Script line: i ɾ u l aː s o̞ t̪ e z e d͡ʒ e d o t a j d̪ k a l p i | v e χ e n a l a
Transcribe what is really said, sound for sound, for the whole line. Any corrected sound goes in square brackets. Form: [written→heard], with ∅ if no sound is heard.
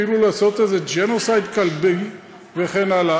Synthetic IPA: i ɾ u l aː s o̞ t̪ e z e d͡ʒ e [d→n] o [t→s] a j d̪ k a l [p→b] i | v e χ e n a l a

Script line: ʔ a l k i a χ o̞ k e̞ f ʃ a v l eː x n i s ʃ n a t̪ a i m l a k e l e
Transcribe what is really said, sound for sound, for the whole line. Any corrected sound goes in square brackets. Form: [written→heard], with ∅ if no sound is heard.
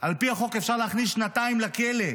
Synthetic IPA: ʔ a l [k→p] i a χ o̞ k e̞ f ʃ a [v→ʁ] l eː [x→χ] n i s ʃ n a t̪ a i m l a k e l e

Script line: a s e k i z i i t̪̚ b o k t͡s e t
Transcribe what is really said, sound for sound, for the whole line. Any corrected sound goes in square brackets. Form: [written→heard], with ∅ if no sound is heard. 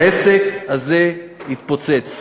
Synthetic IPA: [a→e] s e k [i→a] z [i→e] i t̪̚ [b→p] o [k→∅] t͡s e [t→t͡s]

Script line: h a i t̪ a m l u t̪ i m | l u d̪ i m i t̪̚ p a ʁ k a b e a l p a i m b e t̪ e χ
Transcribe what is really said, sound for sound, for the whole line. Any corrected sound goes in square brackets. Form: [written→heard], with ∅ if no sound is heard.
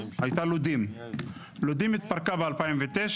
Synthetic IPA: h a [i→j] t̪ a [m→∅] l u [t̪→d̪] i m | l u d̪ i m i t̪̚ p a ʁ k a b e a l p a i m [b→v] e t̪ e [χ→ʃ]

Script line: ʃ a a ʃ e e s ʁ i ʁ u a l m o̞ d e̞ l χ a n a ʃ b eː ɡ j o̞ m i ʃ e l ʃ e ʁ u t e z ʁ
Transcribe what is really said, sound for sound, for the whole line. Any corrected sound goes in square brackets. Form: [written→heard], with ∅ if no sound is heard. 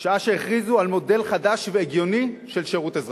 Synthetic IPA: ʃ a a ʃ e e [s→χ] ʁ i [ʁ→z] u a l m o̞ d e̞ l χ a [n→d] a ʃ [b→v] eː ɡ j o̞ [m→n] i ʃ e l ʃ e ʁ u t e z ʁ

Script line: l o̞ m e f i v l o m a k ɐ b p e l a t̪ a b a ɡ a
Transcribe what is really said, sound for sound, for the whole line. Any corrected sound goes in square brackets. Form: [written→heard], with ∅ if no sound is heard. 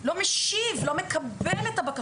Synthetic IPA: l o̞ m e [f→ʃ] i v l o m [a→e] k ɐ b [p→b] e l [a→e] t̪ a b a [ɡ→k] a

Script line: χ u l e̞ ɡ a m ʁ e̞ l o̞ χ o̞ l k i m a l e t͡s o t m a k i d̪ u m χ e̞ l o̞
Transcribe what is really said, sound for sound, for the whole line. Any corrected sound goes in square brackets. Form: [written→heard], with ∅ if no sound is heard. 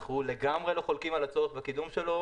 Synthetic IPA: χ u l e̞ ɡ a m ʁ e̞ l o̞ χ o̞ l k i m a l [e→a] t͡s o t [m→b] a k i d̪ u m [χ→ʃ] e̞ l o̞

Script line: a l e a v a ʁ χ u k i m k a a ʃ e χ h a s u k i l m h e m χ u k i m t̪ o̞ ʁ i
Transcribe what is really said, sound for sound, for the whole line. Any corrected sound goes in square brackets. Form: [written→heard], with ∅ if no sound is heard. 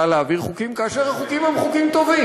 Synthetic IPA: a l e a v [a→i] ʁ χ u k i m k a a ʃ e [χ→ʁ] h a [s→χ] u k i [l→∅] m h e m χ u k i m t̪ o̞ [ʁ→v] i

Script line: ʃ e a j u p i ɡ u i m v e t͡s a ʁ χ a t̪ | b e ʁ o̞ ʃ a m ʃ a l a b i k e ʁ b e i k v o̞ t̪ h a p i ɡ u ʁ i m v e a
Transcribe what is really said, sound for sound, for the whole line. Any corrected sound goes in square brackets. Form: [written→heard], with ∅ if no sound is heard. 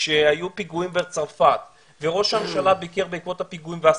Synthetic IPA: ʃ e a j u p i ɡ u i m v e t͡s a ʁ [χ→f] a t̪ | [b→v] e ʁ o̞ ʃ a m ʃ a l a b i k e ʁ b e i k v o̞ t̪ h a p i ɡ u [ʁ→∅] i m v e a

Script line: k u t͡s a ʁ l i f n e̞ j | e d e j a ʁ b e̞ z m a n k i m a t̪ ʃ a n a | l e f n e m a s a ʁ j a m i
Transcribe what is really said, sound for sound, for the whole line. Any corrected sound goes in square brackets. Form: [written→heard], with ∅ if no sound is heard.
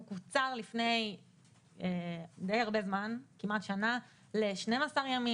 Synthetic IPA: k u t͡s a ʁ l i f n e̞ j | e d e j a ʁ b e̞ z m a n k i m a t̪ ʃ a n a | l e [f→ʃ] n e m a s a ʁ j a m i

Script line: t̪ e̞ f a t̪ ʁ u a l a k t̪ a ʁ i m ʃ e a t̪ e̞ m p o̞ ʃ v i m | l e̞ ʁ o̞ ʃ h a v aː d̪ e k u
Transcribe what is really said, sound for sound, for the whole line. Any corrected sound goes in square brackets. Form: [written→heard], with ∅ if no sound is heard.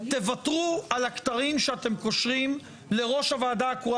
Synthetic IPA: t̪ e̞ [f→v] a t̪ ʁ u a l a k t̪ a ʁ i m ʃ e a t̪ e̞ m [p→k] o̞ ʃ [v→ʁ] i m | l e̞ ʁ o̞ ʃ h a v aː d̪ [e→a] k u

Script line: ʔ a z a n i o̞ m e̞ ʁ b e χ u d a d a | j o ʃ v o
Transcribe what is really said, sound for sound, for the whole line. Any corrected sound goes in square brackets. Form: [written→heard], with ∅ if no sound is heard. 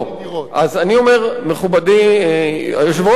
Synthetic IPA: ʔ a z a n i o̞ m e̞ ʁ [b→m] e χ u [d→b] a d [a→i] | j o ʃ v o

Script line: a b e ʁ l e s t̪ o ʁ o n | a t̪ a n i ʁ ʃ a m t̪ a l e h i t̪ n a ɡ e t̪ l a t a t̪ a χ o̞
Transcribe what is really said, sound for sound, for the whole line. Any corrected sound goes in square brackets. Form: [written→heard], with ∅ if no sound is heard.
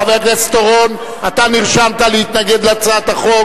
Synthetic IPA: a [b→v] e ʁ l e s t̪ o ʁ o n | a t̪ a n i ʁ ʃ a m t̪ a l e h i t̪ n a ɡ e [t̪→d̪] l a [t→t͡s] a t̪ a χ o̞

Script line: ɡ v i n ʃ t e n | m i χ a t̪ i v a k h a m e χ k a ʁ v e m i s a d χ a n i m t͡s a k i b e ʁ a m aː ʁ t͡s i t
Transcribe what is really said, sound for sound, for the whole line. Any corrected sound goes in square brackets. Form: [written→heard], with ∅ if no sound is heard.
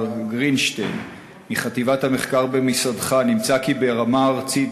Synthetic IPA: ɡ [v→ʁ] i n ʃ t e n | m i χ a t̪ i v a [k→t] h a m e χ k a ʁ [v→b] e m i s a d χ a n i m t͡s a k i b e ʁ a m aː ʁ t͡s i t

